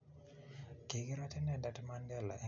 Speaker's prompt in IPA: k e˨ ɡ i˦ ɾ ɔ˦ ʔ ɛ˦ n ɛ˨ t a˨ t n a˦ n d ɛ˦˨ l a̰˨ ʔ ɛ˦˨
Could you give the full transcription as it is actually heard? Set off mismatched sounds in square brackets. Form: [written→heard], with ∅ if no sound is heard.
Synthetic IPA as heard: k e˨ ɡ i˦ ɾ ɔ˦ [ʔ→t] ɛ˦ n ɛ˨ [t→d] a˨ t [n→m] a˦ n d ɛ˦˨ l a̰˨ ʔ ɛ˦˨